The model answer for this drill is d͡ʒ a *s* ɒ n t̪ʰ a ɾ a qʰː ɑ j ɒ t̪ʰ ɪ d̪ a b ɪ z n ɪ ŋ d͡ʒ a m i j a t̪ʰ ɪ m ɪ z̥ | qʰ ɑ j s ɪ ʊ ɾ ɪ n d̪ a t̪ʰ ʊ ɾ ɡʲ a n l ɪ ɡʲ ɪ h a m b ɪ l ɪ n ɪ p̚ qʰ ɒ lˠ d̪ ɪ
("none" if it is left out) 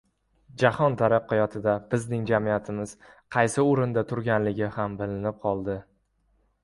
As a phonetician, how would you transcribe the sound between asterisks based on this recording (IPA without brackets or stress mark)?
h